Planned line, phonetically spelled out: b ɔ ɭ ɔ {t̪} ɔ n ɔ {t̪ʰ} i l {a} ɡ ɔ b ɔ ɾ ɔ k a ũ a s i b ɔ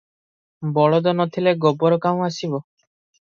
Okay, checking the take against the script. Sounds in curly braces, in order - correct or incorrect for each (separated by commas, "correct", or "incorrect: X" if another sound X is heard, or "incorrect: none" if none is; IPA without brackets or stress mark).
incorrect: d̪, correct, incorrect: e